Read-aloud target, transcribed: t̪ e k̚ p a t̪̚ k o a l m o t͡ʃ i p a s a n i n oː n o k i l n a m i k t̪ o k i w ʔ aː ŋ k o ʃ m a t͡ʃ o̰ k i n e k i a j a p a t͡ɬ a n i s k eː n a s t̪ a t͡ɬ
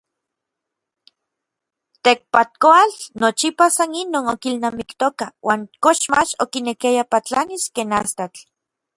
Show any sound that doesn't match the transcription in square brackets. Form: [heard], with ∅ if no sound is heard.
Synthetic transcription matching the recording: t̪ e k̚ p a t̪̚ k o a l [n] o t͡ʃ i p a s a n i n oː n o k i l n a m i k t̪ o k [a] w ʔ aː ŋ k o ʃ m a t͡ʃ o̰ k i n e k i a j a p a t͡ɬ a n i s k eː n a s t̪ a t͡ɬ